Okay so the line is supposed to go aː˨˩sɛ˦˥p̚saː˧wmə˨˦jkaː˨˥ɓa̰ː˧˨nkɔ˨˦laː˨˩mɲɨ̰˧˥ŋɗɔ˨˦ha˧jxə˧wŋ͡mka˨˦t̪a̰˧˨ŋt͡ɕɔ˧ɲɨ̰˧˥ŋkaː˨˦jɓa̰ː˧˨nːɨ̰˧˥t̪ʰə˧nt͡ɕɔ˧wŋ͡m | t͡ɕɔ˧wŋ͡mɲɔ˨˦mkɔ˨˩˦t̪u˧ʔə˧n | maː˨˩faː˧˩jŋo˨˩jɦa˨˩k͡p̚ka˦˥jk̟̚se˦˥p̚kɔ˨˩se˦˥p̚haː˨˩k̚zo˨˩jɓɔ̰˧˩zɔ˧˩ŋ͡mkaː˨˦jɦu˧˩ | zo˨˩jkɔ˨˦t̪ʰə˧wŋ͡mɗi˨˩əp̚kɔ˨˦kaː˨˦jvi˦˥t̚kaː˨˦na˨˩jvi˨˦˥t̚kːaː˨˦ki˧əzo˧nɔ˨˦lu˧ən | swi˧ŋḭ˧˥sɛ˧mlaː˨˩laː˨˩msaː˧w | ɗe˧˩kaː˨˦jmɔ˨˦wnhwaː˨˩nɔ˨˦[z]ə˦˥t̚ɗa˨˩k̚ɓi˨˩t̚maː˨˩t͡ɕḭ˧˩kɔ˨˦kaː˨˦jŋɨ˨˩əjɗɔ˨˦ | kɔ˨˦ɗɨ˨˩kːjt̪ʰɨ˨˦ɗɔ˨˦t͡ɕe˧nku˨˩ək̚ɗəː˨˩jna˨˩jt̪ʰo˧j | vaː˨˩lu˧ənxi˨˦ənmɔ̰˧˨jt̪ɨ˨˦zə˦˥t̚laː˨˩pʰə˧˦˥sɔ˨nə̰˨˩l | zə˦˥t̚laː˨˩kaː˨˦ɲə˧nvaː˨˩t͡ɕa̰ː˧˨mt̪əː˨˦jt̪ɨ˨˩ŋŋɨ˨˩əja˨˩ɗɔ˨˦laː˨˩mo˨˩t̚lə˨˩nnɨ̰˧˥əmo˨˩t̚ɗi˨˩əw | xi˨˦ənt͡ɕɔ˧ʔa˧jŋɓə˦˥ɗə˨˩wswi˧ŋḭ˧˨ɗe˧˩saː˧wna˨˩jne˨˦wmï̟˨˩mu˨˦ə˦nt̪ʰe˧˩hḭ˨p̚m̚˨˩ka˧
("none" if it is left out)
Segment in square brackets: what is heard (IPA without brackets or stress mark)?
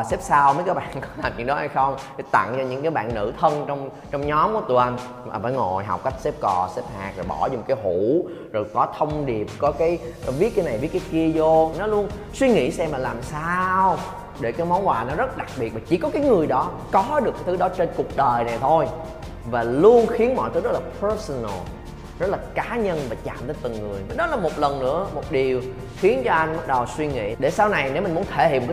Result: z